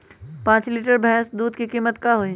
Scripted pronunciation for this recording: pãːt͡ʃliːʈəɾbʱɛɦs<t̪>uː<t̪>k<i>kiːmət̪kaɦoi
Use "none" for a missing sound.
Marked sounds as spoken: d̪, d̪, i

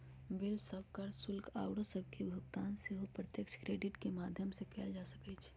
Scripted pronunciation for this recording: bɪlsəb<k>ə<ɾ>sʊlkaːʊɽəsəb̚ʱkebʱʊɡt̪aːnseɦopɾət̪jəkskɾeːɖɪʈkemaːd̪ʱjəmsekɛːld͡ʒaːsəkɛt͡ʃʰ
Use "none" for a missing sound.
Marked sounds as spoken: k, ɾ

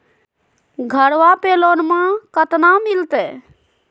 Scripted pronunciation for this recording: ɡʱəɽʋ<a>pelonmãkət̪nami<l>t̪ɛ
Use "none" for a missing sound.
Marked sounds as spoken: a, l

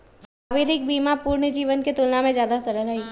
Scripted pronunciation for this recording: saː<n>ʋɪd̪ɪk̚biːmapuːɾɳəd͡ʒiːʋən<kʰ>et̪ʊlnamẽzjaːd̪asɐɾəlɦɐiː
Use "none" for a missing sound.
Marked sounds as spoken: none, k

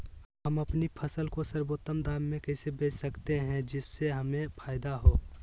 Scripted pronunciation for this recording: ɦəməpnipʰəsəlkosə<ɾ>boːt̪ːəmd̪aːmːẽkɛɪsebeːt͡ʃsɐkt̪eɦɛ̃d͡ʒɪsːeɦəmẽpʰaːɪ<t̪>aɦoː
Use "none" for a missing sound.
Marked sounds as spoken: ɾ, d̪

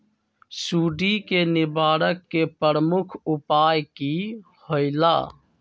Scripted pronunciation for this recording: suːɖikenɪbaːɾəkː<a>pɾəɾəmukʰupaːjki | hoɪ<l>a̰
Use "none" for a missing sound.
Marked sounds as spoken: e, l

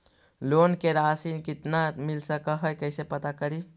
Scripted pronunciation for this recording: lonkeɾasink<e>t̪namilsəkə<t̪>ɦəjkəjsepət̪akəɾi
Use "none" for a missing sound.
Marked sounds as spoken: i, none

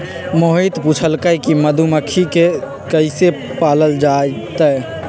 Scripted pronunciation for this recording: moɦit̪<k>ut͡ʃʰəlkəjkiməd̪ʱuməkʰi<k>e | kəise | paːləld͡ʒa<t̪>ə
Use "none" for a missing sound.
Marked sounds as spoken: p, k, t̪

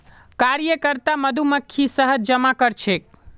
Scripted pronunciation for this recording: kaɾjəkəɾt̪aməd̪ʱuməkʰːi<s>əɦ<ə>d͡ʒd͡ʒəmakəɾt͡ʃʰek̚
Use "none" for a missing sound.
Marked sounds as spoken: s, ə

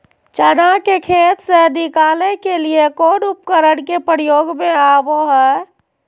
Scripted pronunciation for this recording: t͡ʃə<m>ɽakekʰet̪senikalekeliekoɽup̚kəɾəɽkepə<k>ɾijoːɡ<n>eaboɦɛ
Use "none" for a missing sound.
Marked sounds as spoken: none, none, m

